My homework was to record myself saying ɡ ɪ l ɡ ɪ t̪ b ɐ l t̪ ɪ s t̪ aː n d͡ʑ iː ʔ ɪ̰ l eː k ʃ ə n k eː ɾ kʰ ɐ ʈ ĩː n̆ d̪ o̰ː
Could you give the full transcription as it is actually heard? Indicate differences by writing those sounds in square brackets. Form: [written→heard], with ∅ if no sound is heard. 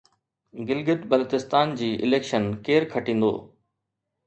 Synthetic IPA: ɡ ɪ l ɡ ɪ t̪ b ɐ l t̪ ɪ s t̪ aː n d͡ʑ iː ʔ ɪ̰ l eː k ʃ ə n k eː ɾ kʰ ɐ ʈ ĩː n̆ d̪ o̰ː